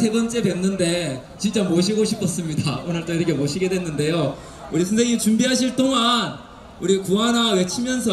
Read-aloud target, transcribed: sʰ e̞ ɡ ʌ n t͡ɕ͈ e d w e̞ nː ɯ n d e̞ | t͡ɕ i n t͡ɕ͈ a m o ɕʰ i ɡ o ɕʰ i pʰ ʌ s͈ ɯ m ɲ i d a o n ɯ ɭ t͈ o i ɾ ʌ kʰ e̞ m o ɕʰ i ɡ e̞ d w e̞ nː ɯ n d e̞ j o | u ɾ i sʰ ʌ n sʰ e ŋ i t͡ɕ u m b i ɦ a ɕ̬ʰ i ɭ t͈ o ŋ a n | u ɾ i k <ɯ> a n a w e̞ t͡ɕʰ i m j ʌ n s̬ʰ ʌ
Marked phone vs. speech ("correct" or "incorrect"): incorrect